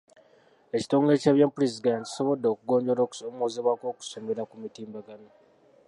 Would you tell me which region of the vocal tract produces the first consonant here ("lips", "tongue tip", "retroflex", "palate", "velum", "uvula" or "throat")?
palate